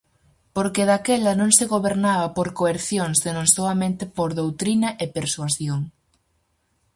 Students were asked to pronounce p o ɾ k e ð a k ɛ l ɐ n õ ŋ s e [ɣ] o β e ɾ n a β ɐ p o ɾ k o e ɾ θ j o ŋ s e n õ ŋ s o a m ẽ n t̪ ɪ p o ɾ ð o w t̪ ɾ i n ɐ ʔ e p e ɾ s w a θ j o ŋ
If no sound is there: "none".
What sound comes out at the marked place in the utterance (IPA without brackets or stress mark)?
ɣ